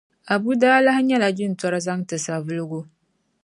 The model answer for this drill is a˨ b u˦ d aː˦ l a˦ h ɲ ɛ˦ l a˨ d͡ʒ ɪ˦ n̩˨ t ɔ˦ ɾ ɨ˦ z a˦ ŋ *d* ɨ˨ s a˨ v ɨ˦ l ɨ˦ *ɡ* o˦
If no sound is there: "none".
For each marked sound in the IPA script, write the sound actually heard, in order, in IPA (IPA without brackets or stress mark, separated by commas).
t, ɡ